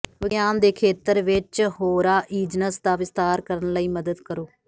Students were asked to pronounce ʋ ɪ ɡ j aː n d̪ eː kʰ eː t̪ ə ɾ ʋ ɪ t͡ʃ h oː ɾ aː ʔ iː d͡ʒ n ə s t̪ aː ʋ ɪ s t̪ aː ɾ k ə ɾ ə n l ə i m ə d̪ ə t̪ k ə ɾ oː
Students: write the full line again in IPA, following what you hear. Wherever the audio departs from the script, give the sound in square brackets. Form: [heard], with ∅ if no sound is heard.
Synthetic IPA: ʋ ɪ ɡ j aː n d̪ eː kʰ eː t̪ ə ɾ ʋ ɪ t͡ʃ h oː ɾ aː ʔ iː d͡ʒ n ə s [d̪] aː ʋ ɪ s t̪ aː ɾ k ə ɾ ə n l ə [iː] m ə d̪ ə [d̪] k ə ɾ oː